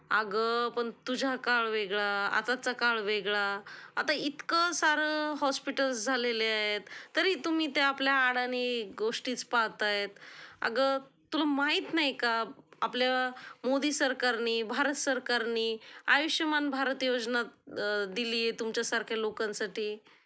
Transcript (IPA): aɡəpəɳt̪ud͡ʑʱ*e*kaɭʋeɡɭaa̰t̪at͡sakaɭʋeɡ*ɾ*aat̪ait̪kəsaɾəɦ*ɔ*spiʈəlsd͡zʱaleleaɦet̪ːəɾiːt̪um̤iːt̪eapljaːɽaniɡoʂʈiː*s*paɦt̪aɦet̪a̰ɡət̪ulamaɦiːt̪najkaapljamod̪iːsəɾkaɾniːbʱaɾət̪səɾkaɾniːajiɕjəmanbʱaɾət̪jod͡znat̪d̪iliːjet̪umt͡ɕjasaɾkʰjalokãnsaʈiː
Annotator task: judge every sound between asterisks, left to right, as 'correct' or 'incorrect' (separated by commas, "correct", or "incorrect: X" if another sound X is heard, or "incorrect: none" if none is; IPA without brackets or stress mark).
incorrect: a, incorrect: ɭ, correct, incorrect: t͡s